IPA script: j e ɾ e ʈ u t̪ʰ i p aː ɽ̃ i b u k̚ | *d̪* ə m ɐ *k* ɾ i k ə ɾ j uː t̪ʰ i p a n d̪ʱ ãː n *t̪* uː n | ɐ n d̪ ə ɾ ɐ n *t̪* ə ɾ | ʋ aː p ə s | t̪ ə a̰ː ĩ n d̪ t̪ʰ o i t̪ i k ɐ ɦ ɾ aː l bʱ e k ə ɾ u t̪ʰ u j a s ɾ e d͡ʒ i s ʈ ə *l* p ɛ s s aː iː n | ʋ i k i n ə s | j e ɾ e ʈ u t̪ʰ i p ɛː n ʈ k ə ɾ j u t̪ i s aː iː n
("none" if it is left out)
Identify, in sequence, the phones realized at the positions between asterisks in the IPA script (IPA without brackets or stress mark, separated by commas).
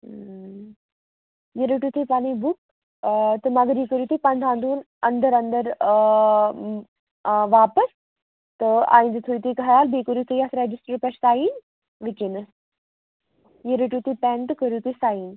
t̪, ɡ, d̪, d̪, ɾ